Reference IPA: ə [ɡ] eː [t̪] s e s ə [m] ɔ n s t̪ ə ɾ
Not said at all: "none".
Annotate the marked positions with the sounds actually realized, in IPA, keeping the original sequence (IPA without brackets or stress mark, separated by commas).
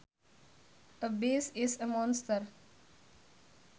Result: b, none, m